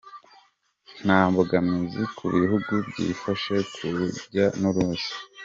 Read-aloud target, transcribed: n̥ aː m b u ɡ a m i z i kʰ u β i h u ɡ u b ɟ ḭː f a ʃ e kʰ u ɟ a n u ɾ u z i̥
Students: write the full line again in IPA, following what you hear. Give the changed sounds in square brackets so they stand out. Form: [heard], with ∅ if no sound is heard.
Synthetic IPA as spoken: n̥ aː m b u ɡ a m i z i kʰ u β i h u ɡ u b ɟ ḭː f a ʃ e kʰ u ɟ a n u ɾ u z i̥